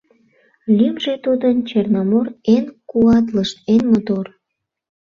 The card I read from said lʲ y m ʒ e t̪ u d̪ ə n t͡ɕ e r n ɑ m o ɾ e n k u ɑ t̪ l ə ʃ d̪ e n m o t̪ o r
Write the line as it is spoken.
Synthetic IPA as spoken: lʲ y m ʒ e t̪ u d̪ ə n t͡ɕ e r n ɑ m o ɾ e n k u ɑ t̪ l ə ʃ t̪ e n m o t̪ o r